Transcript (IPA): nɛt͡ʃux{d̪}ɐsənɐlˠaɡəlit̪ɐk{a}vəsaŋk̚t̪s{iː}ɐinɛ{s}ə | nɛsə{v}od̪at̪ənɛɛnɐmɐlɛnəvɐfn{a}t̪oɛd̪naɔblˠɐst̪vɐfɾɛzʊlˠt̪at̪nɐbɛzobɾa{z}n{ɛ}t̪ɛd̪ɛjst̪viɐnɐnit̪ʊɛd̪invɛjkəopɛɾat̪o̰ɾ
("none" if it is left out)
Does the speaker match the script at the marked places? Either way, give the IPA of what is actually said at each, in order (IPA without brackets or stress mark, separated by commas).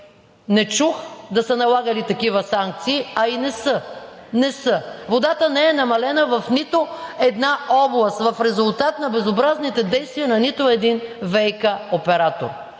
d̪, i, iː, s, v, i, z, i